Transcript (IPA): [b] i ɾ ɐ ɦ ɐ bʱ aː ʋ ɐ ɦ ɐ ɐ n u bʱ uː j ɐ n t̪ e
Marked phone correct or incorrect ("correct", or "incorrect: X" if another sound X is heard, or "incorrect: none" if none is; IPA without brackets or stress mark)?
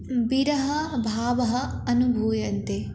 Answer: correct